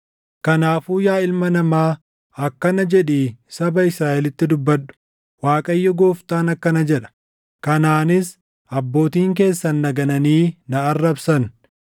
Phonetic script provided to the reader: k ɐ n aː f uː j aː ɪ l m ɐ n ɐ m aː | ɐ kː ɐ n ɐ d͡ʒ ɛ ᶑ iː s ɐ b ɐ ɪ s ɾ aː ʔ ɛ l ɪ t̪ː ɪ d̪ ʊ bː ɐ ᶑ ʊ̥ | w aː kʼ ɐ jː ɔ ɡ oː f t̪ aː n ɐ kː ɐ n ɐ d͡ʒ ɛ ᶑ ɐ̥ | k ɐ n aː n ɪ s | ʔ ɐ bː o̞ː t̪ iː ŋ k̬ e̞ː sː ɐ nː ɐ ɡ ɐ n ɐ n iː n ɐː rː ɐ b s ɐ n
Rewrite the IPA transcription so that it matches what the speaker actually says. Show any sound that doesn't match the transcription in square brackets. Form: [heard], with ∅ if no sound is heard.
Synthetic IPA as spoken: k ɐ n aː f uː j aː ɪ l m ɐ n ɐ m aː | ɐ kː ɐ n ɐ d͡ʒ ɛ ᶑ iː s ɐ b ɐ ɪ s ɾ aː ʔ ɛ l ɪ t̪ː ɪ d̪ ʊ bː ɐ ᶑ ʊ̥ | w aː kʼ ɐ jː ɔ ɡ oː f t̪ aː n ɐ kː ɐ n ɐ d͡ʒ ɛ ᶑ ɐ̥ | k ɐ n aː n ɪ s | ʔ ɐ bː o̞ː t̪ iː ŋ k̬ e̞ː sː ɐ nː ɐ ɡ ɐ n ɐ n iː n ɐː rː ɐ b s ɐ n